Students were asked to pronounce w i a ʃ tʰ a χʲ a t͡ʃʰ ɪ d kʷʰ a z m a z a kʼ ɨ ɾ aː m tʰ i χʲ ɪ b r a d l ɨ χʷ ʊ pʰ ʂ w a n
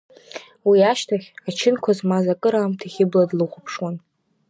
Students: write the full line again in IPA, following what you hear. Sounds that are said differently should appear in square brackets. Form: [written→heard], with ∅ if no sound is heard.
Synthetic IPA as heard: w i a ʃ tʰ a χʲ a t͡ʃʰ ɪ [d→n] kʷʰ a z m a z a kʼ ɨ ɾ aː m tʰ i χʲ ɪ b [r→l] a d l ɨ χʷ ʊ pʰ ʂ w a n